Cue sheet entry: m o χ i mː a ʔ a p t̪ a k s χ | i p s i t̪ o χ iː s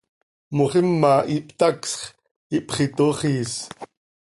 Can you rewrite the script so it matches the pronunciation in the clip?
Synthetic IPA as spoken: m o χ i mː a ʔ i p t̪ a k s χ | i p χ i t̪ o χ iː s